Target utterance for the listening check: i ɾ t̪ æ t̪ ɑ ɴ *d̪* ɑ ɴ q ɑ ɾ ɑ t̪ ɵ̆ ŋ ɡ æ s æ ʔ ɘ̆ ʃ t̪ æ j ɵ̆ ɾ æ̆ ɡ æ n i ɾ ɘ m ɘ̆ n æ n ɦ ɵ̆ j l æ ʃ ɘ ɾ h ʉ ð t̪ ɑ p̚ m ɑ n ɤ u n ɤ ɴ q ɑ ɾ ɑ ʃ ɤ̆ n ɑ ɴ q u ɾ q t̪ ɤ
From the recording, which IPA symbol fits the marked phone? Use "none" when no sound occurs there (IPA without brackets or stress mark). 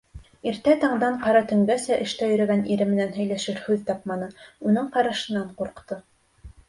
d̪